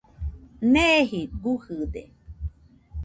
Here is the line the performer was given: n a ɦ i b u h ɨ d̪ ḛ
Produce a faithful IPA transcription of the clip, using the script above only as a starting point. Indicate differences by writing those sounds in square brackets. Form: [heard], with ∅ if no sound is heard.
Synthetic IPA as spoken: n [e] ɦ i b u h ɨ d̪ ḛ